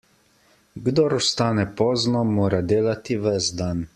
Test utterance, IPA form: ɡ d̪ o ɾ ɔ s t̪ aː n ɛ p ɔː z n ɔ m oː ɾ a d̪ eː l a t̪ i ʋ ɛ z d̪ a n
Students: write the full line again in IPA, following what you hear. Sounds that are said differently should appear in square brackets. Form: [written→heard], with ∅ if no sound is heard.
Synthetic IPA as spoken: ɡ d̪ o ɾ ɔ s t̪ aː n ɛ p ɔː z n ɔ m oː ɾ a d̪ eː l a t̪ i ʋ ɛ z d̪ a n